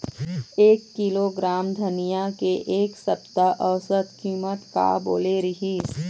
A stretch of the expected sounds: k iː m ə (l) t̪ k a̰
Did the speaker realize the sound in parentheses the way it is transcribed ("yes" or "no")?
no